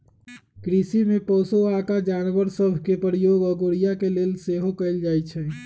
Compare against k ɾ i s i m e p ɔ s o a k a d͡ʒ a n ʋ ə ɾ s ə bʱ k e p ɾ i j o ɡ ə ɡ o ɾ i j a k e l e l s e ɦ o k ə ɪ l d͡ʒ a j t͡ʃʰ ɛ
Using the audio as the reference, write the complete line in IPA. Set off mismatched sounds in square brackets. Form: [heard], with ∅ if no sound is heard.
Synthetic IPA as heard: k ɾ i s i m e p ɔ s o a k a d͡ʒ a n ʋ ə ɾ s ə bʱ k e p ɾ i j o ɡ ə ɡ o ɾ i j a k e l e l s e ɦ o k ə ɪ l d͡ʒ a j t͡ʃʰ ɛ